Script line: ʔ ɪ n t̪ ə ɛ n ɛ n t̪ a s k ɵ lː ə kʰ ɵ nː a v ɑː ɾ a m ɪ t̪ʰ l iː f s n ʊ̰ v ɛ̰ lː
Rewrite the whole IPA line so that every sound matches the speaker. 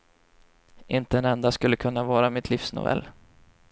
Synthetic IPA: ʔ ɪ n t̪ ə ɛ n ɛ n d̪ a s k ɵ lː ə kʰ ɵ nː a v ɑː ɾ a m ɪ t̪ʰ l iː f s n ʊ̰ v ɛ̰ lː